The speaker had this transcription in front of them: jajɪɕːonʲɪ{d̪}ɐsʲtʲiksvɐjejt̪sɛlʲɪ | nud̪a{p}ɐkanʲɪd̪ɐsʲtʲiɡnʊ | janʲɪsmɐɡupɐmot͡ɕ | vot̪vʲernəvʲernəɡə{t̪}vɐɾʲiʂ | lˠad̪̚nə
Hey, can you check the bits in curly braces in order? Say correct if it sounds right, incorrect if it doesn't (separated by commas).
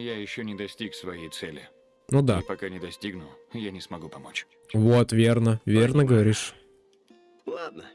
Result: correct, correct, incorrect